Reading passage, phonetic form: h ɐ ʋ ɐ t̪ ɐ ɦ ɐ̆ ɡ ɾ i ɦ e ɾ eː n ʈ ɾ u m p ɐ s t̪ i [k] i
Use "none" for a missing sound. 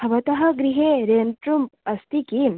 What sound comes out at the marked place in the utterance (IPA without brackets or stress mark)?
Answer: k